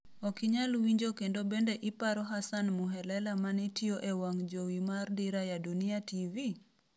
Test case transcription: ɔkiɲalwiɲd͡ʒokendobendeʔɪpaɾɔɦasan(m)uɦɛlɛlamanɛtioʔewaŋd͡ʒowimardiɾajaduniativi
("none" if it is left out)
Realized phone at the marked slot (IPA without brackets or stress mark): m